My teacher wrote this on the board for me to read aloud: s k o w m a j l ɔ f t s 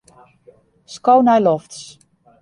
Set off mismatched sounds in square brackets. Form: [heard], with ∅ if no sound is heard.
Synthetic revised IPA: s k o w [n] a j l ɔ f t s